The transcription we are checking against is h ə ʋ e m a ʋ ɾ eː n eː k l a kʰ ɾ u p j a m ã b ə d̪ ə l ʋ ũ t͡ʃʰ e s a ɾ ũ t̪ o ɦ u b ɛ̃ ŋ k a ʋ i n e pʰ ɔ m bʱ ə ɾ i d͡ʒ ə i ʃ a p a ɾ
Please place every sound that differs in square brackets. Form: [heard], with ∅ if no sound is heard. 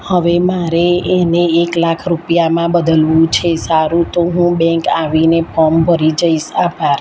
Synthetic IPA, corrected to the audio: h ə ʋ e m a [∅] ɾ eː n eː k l a kʰ ɾ u p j a m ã b ə d̪ ə l ʋ ũ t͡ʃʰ e s a ɾ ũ t̪ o ɦ [ũ] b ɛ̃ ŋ k a ʋ i n e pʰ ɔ m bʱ ə ɾ i d͡ʒ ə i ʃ a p a ɾ